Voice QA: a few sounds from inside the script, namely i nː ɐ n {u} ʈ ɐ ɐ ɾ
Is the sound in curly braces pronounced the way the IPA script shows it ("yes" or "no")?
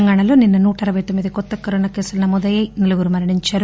no